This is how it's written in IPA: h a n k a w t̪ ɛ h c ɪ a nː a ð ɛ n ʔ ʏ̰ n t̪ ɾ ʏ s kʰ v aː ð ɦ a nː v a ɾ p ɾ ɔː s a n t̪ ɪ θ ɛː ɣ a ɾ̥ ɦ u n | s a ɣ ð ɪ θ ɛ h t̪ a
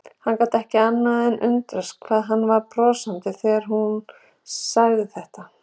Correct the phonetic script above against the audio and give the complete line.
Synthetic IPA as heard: h a n k a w t̪ ɛ h c ɪ a nː a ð ɛ n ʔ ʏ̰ n t̪ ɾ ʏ s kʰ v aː ð ɦ a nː v a ɾ p ɾ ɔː s a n t̪ ɪ θ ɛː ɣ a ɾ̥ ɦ u n | s a ɣ ð ɪ θ ɛ h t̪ a